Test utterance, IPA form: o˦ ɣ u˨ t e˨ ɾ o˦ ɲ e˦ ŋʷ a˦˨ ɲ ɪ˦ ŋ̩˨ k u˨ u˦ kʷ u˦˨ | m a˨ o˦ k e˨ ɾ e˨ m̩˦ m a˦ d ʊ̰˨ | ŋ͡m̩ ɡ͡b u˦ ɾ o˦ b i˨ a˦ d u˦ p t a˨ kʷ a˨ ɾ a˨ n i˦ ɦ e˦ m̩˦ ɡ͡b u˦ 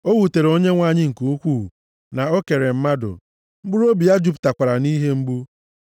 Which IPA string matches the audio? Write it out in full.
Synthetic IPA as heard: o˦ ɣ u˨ t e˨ ɾ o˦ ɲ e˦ ŋʷ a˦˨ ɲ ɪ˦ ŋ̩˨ k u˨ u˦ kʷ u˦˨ | n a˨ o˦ k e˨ ɾ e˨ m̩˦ m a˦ d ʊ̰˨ | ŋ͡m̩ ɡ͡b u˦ ɾ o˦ b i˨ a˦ d͡ʒ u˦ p t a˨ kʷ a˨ ɾ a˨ n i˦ ɦ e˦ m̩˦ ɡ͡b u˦

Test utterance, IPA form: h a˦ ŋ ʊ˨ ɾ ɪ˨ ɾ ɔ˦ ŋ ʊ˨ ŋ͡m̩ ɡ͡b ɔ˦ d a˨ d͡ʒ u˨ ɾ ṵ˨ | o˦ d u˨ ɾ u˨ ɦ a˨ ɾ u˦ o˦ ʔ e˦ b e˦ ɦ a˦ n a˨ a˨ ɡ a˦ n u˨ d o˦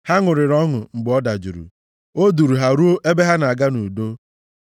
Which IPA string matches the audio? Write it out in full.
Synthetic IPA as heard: h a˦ ŋ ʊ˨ ɾ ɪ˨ ɾ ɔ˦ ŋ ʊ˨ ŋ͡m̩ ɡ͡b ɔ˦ d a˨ d͡ʒ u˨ ɾ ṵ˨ | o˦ d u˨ ɾ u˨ ɦ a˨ ɾ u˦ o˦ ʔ e˦ b e˦ ɦ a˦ n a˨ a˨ ɡ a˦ n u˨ d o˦

